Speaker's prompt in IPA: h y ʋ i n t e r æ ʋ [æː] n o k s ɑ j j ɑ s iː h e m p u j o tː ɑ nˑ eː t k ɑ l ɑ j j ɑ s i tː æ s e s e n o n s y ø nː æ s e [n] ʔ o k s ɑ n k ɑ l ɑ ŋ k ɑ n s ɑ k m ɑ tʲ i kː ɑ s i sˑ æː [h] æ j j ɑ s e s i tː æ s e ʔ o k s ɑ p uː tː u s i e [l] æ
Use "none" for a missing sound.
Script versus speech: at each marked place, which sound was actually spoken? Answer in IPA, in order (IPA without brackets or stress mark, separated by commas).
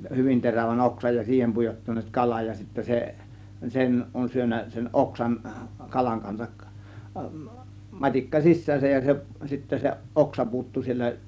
æ, n, s, lː